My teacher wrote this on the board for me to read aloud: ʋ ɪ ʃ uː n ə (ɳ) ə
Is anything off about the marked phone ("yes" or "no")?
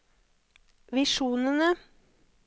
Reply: yes